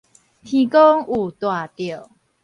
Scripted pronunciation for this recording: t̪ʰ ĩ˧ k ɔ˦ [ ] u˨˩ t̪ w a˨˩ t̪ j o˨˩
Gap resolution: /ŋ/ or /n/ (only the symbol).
ŋ